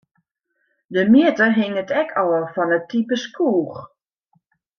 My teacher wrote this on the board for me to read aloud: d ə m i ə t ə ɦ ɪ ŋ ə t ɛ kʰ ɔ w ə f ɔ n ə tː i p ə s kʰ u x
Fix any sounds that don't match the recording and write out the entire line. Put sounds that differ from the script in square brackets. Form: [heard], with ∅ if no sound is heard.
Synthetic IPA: d ə m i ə t ə ɦ ɪ ŋ ə t ɛ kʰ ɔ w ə f ɔ n ə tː i p ə s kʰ [uː] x